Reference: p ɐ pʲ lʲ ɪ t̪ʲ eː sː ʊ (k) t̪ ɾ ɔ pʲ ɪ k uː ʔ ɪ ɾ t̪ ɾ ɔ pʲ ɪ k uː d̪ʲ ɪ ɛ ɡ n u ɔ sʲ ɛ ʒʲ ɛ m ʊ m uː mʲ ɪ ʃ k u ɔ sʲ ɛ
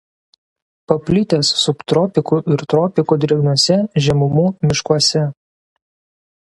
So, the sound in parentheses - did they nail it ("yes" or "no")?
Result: no